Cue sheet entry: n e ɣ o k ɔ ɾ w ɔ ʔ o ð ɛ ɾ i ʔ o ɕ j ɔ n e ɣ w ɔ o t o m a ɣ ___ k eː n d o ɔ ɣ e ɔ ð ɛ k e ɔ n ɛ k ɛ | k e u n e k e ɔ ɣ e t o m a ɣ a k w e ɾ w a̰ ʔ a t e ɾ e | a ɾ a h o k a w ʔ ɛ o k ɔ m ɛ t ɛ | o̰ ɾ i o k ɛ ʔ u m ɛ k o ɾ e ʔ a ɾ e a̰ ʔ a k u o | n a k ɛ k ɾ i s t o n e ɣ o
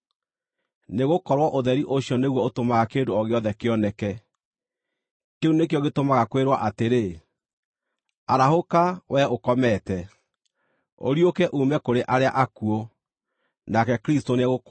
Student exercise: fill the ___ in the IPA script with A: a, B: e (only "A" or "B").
A